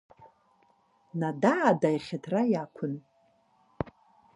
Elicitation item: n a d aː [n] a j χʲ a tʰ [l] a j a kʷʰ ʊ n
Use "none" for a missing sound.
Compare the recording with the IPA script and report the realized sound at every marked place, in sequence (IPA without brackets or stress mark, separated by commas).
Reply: d, r